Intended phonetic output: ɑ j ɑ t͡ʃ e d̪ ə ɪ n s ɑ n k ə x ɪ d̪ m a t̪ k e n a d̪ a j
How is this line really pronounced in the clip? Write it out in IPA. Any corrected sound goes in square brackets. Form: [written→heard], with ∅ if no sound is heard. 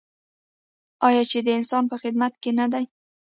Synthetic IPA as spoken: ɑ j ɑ t͡ʃ e d̪ ə ɪ n s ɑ n [k→p] ə x ɪ d̪ m a t̪ k e n a d̪ a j